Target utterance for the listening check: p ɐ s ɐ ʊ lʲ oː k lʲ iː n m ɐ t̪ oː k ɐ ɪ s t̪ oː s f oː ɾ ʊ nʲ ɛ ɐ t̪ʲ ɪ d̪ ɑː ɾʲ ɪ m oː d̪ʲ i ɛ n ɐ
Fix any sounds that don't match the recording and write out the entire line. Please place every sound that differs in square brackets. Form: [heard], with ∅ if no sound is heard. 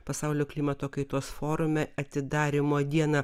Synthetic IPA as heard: p ɐ s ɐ ʊ lʲ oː k lʲ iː [∅] m ɐ t̪ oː k ɐ ɪ [∅] t̪ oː s f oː ɾ ʊ [mʲ] ɛ ɐ t̪ʲ ɪ d̪ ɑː ɾʲ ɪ m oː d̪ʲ i ɛ n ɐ